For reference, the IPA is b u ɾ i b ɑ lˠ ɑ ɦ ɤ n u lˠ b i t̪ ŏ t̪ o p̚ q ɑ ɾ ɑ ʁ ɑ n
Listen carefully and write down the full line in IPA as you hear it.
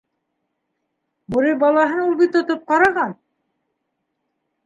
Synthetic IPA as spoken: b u ɾ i b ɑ lˠ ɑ ɦ ɤ n u lˠ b i t̪ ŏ t̪ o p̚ q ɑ ɾ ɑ ʁ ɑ n